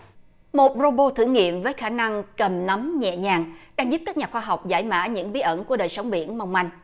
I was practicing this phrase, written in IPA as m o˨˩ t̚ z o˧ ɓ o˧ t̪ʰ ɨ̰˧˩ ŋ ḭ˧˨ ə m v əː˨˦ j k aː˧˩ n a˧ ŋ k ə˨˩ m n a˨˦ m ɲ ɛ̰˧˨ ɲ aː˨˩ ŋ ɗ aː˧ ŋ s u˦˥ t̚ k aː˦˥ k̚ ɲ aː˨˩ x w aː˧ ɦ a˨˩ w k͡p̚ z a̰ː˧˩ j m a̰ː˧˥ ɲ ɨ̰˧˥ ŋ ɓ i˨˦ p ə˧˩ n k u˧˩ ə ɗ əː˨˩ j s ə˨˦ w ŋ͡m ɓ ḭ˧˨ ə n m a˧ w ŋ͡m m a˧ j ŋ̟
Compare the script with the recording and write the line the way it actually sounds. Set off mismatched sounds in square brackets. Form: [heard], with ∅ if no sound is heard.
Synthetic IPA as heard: m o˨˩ t̚ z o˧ ɓ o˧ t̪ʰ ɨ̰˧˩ ŋ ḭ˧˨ ə m v əː˨˦ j [x] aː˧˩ n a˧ ŋ k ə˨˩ m n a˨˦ m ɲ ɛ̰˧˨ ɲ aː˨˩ ŋ ɗ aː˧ ŋ [z] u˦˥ [p̚] k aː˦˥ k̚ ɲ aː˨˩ x w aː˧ ɦ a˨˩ w k͡p̚ z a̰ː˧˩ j m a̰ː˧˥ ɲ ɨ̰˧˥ ŋ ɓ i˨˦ [ʔ] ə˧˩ n k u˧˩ ə ɗ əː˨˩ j s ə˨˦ w ŋ͡m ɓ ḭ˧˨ ə n m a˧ w ŋ͡m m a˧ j ŋ̟